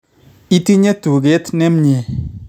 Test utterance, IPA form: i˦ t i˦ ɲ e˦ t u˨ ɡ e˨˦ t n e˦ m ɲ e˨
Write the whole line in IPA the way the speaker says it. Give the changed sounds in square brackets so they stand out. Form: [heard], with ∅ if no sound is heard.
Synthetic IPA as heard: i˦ t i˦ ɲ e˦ t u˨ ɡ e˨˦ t n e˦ m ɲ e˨